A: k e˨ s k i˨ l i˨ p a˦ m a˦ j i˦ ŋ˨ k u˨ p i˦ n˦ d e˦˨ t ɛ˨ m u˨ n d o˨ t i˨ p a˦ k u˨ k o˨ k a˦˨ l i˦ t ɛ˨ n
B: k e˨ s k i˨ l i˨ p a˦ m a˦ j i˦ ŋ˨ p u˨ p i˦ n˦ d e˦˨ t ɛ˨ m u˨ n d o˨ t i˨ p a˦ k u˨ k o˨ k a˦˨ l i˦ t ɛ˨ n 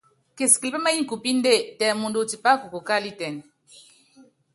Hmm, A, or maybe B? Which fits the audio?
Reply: A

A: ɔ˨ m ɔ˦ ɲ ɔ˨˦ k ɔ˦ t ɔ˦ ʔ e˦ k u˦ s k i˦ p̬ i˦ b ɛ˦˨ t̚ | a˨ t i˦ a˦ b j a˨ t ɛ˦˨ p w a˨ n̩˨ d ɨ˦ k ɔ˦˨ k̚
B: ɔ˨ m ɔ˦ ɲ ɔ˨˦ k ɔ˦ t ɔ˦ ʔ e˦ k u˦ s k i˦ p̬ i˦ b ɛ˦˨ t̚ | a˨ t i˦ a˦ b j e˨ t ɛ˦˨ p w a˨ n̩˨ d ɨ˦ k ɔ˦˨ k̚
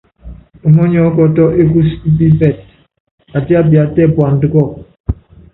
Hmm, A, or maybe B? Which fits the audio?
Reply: A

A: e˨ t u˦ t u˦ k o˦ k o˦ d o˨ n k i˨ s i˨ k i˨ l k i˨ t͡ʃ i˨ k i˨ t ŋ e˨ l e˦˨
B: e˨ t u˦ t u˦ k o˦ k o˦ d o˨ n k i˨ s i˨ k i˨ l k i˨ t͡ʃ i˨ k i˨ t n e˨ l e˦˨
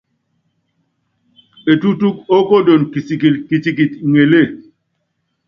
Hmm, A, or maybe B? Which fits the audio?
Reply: A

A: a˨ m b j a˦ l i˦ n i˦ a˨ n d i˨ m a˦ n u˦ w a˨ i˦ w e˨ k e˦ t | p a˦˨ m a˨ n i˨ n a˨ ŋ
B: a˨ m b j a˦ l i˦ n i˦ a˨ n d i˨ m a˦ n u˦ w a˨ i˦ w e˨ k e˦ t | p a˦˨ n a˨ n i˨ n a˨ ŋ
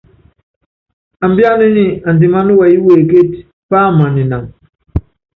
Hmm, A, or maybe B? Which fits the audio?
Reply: A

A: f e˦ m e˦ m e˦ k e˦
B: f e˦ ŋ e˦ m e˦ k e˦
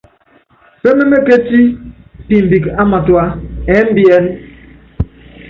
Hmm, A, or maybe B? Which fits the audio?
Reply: A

